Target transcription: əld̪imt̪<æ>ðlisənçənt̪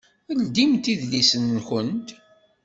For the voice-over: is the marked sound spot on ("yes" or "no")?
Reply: no